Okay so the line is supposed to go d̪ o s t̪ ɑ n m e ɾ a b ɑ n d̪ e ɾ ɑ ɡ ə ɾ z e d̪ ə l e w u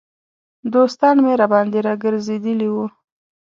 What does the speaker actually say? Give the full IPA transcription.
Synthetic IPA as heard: d̪ o s t̪ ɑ n m e ɾ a b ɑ n d̪ e ɾ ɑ ɡ ə ɾ z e d̪ ə l i w u